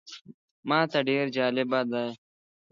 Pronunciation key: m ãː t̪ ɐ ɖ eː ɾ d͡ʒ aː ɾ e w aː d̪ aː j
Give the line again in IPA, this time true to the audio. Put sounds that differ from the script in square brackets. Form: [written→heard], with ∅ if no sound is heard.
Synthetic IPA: m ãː t̪ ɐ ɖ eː ɾ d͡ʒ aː [ɾ→l] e [w→b] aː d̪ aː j